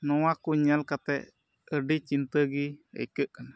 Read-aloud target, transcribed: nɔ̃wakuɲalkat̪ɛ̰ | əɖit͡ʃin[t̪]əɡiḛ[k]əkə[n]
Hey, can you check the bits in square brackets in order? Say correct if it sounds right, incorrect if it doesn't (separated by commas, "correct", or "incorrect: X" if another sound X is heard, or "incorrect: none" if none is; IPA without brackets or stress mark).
correct, correct, correct